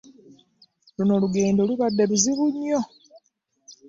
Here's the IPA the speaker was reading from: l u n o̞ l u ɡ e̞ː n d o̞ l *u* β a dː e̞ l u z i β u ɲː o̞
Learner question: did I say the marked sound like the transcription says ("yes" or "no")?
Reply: yes